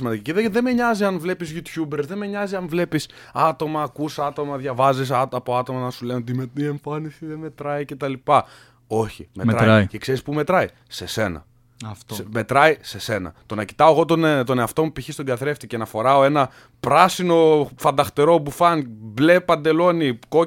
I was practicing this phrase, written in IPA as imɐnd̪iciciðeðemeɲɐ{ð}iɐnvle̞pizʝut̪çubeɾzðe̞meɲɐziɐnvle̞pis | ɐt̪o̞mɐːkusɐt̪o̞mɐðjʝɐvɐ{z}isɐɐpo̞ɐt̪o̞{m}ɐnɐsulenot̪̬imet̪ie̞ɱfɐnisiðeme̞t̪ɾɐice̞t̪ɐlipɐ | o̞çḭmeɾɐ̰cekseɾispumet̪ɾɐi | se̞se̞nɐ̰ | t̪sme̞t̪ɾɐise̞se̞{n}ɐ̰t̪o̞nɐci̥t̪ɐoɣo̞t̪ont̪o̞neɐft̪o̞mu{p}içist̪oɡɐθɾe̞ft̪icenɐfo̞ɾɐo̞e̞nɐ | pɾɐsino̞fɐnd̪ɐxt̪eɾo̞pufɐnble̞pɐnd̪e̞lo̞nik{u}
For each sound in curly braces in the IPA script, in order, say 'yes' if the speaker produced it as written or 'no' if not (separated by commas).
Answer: no, yes, yes, yes, yes, no